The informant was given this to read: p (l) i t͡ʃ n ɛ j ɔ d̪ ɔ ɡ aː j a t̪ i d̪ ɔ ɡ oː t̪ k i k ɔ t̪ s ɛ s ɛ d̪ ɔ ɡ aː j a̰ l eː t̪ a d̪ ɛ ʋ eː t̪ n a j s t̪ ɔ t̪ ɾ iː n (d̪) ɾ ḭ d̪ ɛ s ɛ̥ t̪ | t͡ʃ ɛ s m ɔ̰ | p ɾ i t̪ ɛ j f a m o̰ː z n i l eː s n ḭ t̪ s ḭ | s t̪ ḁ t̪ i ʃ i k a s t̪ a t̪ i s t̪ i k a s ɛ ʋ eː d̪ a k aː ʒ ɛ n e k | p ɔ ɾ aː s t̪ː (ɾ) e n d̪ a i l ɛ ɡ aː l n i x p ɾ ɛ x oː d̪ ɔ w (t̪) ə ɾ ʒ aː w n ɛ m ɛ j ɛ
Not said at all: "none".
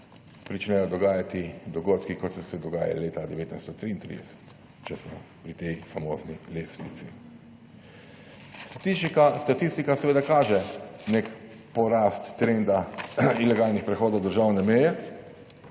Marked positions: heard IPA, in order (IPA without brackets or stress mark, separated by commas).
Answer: ɾ, t̪, ɾ, d̪